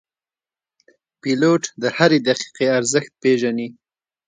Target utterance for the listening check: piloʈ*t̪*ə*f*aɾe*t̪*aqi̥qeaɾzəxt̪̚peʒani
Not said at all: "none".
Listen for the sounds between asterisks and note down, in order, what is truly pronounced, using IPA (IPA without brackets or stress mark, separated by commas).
d̪, h, d̪